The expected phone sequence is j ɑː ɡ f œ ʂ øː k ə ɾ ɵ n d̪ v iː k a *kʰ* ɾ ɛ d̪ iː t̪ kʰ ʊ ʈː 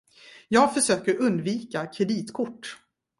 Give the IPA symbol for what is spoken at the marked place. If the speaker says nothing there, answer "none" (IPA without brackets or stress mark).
kʰ